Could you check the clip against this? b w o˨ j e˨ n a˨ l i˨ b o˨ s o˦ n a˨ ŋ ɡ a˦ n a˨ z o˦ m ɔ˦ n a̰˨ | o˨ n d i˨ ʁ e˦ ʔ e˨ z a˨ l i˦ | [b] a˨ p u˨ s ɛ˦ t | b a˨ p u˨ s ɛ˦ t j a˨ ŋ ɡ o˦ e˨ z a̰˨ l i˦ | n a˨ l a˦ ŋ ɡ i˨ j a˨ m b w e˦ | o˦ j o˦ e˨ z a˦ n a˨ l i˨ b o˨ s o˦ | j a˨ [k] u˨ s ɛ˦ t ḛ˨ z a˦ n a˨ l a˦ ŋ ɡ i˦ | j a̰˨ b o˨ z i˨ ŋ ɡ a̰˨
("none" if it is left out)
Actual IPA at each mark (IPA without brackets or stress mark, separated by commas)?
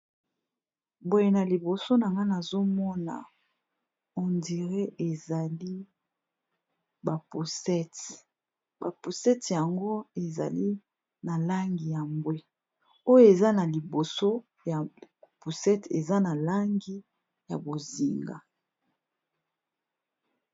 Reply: b, p